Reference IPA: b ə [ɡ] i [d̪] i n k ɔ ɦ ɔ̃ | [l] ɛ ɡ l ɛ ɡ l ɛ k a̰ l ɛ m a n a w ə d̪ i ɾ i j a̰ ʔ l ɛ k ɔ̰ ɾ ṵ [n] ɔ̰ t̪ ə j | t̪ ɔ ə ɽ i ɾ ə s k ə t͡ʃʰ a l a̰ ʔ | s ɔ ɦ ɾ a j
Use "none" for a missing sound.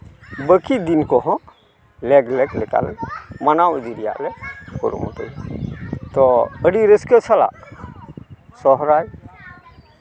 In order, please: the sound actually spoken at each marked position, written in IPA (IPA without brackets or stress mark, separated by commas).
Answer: k, d̪, l, m